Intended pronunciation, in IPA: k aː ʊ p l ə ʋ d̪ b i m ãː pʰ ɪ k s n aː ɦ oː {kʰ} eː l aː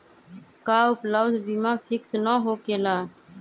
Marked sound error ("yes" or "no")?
yes